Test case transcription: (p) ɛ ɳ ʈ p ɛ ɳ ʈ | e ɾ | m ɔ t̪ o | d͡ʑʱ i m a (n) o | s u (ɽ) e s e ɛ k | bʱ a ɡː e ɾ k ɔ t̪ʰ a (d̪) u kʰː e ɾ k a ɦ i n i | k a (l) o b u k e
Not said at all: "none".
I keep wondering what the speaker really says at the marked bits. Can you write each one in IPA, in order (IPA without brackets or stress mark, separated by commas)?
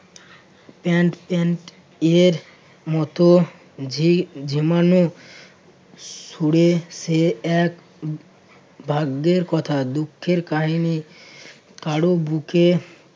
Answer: p, n, ɽ, d̪, ɽ